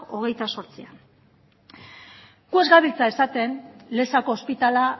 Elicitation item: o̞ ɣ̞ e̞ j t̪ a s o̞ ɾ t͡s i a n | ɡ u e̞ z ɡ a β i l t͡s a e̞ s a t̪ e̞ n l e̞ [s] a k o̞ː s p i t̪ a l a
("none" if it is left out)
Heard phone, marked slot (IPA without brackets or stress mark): s